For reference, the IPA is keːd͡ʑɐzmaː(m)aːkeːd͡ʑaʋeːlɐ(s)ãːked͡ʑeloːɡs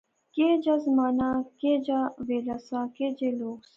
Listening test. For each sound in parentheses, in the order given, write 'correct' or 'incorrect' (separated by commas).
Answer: incorrect, correct